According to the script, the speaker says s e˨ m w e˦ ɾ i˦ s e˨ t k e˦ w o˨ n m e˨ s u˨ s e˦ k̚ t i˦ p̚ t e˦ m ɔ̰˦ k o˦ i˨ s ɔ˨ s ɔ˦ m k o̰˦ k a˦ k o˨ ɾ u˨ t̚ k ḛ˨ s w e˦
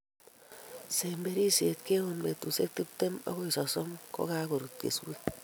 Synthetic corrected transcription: s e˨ m b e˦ ɾ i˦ s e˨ t k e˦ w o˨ n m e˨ t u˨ s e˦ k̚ t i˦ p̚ t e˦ m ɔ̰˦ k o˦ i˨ s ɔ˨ s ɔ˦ m k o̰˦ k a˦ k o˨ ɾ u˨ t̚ k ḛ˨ s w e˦